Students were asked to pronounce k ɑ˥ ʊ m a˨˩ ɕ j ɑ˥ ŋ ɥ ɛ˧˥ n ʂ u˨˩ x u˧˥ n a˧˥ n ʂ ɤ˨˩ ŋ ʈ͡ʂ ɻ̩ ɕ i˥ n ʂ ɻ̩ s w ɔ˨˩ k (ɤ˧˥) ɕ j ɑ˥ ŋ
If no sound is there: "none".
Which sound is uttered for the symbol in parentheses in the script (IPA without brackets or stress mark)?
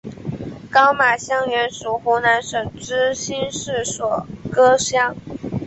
ɤ˥